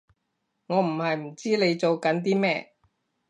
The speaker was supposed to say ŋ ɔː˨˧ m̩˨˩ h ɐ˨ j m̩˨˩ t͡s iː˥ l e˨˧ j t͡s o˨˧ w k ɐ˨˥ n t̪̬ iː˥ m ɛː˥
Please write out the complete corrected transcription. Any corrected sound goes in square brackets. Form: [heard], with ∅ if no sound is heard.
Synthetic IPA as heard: ŋ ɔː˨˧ m̩˨˩ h ɐ˨ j m̩˨˩ t͡s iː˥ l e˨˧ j t͡s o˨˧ w k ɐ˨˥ n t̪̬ iː˥ m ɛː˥